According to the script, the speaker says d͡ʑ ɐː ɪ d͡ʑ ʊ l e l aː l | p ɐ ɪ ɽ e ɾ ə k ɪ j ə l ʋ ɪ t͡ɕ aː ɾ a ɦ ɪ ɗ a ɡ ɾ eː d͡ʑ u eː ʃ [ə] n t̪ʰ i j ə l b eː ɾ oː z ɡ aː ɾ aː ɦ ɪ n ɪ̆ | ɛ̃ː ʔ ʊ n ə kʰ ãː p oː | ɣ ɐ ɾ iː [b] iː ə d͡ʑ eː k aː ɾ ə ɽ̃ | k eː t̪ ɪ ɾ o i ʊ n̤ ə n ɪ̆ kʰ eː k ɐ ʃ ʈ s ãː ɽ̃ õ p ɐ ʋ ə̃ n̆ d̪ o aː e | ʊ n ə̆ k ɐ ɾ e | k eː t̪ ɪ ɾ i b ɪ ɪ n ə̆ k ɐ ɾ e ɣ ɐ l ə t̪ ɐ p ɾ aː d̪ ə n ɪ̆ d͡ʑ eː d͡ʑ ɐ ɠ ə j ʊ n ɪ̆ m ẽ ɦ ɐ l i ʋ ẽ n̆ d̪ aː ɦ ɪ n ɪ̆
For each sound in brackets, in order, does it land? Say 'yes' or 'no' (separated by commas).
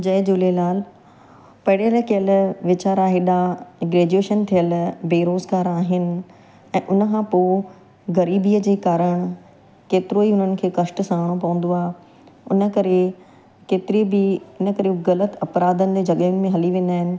yes, yes